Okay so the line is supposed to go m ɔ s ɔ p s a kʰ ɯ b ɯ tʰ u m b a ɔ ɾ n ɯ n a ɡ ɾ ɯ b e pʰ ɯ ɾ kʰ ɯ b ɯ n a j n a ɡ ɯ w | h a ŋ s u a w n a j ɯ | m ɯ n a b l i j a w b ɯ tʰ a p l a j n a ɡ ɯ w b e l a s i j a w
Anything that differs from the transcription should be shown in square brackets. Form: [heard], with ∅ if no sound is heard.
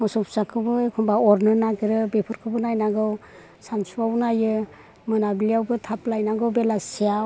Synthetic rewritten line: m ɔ s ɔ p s a kʰ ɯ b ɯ [kʰ] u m b a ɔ ɾ n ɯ n a ɡ ɾ ɯ b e pʰ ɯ ɾ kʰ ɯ b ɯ n a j n a ɡ ɯ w | [s] a [n] s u a w n a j ɯ | m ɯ n a b l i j a w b ɯ tʰ a p l a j n a ɡ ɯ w b e l a s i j a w